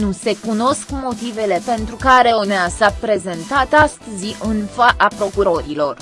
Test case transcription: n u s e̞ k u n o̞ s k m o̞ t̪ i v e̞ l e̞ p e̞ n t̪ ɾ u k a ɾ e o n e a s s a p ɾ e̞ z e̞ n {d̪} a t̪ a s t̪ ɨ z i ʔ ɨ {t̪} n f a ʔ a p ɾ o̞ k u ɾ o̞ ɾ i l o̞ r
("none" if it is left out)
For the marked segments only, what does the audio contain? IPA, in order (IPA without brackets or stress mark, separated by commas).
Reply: t̪, none